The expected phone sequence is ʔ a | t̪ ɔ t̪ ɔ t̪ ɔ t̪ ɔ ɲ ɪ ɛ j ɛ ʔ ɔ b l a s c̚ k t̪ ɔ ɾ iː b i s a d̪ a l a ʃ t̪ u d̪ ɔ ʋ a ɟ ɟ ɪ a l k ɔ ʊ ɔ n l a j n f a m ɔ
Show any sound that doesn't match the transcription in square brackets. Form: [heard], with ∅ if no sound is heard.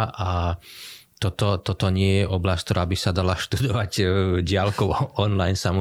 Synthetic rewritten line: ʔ a | t̪ ɔ t̪ ɔ t̪ ɔ t̪ ɔ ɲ ɪ ɛ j ɛ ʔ ɔ b l a s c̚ k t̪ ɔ ɾ [aː] b i s a d̪ a l a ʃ t̪ u d̪ ɔ ʋ a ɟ ɟ ɪ a l k ɔ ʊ ɔ n l a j n [s] a m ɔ